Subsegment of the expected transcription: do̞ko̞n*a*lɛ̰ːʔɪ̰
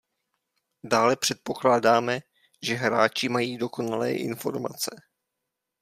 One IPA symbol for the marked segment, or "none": a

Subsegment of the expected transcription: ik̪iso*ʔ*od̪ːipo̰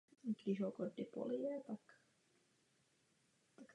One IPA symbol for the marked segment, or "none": k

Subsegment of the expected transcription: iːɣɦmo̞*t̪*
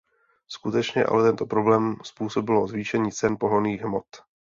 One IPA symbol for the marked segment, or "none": t̪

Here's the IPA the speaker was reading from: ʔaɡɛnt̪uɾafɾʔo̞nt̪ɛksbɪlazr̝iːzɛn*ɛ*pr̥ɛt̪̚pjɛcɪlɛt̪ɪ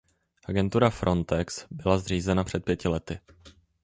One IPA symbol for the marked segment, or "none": a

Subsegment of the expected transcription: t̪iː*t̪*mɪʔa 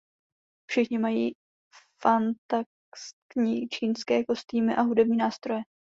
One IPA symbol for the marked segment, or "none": none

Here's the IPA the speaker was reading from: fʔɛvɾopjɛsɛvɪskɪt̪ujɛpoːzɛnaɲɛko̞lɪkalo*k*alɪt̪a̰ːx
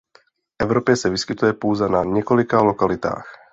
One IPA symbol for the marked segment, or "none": k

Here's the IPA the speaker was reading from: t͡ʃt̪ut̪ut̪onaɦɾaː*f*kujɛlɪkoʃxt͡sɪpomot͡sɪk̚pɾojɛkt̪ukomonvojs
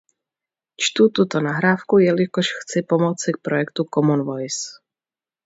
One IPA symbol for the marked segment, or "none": f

